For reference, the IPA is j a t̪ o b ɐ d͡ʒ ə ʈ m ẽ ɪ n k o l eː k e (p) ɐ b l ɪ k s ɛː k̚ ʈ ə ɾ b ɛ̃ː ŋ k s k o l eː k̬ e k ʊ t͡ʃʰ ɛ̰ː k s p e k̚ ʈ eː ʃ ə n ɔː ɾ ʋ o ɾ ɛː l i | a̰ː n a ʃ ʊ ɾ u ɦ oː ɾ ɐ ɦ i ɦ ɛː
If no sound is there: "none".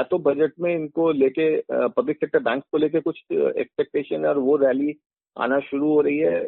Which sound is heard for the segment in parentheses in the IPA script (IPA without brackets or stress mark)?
p